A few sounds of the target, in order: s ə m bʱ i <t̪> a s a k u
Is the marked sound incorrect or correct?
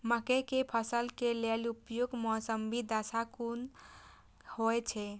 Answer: incorrect